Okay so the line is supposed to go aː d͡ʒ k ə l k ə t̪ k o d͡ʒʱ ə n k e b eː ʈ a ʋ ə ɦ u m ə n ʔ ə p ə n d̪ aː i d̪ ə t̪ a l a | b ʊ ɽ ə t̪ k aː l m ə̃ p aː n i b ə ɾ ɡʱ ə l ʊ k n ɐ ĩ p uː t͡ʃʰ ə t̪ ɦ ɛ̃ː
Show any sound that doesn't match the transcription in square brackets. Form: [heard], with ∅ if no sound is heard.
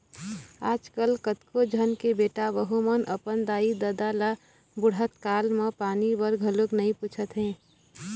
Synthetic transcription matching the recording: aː d͡ʒ k ə l k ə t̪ k o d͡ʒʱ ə n k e b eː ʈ a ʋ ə ɦ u m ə n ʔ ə p ə n d̪ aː i d̪ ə [d̪] a l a | b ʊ ɽ ə t̪ k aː l m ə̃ p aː n i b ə ɾ ɡʱ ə l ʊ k n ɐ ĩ p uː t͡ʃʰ ə t̪ ɦ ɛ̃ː